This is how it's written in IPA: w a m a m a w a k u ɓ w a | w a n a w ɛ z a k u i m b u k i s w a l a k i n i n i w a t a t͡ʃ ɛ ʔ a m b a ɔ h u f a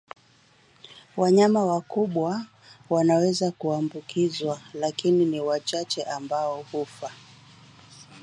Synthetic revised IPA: w a ɲ a m a w a k u ɓ w a | w a n a w ɛ z a k u a m b u k i z w a l a k i n i n i w a t͡ʃ a t͡ʃ ɛ ʔ a m b a ɔ h u f a